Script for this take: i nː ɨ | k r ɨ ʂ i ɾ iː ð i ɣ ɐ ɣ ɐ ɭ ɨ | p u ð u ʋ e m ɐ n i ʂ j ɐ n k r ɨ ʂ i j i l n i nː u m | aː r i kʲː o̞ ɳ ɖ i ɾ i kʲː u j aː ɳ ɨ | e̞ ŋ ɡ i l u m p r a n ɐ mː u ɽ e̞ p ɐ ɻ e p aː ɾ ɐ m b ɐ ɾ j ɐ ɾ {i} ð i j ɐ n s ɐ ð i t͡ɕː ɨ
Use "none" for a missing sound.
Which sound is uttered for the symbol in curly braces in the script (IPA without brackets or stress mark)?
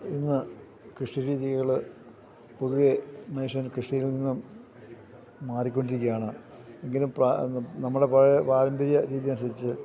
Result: iː